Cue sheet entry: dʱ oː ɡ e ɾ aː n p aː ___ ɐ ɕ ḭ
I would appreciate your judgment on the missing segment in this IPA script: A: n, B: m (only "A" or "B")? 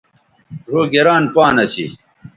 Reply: A